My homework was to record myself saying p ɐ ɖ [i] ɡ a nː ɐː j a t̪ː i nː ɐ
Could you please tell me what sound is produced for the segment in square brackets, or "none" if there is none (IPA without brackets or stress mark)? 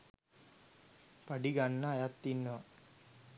i